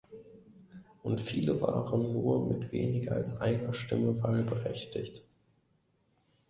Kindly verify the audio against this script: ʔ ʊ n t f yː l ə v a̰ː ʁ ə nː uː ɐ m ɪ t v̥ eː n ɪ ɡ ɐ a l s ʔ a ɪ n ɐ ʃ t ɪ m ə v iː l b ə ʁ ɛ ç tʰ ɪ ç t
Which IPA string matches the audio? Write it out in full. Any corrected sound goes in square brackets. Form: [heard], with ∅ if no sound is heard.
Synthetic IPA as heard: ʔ ʊ n t f [iː] l ə v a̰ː ʁ ə nː uː ɐ m ɪ t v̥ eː n ɪ ɡ ɐ a l s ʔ a ɪ n ɐ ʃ t ɪ m ə v [aː] l b ə ʁ ɛ ç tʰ ɪ ç t